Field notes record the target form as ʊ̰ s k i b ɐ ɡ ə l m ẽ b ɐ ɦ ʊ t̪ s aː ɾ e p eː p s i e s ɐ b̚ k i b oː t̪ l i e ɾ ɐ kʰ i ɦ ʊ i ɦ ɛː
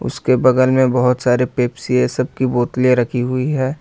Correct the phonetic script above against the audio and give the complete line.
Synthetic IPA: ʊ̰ s k e b ɐ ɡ ə l m ẽ b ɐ ɦ ʊ t̪ s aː ɾ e p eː p s i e s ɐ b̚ k i b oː t̪ l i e ɾ ɐ kʰ i ɦ ʊ i ɦ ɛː